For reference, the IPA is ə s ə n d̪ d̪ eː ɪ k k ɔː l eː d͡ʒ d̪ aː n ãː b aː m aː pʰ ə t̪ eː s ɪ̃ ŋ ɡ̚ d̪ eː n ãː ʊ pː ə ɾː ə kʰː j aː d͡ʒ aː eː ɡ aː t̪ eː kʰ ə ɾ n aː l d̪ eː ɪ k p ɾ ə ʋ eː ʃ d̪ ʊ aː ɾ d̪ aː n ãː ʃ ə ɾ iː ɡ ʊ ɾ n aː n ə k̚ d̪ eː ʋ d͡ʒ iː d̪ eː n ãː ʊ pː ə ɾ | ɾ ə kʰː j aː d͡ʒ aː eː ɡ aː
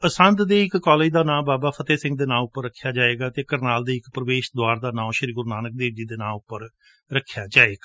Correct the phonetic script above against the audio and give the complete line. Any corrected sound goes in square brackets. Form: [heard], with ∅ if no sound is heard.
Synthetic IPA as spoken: ə s ə n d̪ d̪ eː ɪ k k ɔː l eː d͡ʒ d̪ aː n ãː b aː [b] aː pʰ ə t̪ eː s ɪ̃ ŋ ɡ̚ d̪ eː n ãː ʊ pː ə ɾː ə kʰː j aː d͡ʒ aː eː ɡ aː t̪ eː [k] ə ɾ n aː l d̪ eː ɪ k p ɾ ə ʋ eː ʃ d̪ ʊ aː ɾ d̪ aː n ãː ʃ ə ɾ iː ɡ ʊ ɾ n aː n ə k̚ d̪ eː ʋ d͡ʒ iː d̪ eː n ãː ʊ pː ə ɾ | ɾ ə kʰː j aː d͡ʒ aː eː ɡ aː